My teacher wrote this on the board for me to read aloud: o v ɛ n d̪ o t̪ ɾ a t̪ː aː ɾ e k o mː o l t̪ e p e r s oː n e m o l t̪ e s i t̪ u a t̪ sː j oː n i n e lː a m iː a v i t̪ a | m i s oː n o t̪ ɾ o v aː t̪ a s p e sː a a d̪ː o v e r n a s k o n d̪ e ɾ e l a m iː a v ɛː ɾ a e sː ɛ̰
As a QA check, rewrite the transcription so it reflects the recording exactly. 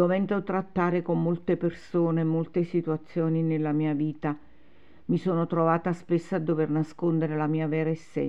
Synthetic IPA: o v ɛ n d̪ o t̪ ɾ a t̪ː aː ɾ e k o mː o l t̪ e p e r s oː n e m o l t̪ e s i t̪ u a t̪ sː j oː n i n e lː a m iː a v iː t̪ a | m i s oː n o t̪ ɾ o v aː t̪ a s p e sː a a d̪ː o v e r n a s k o n d̪ e ɾ e l a m iː a v ɛː ɾ a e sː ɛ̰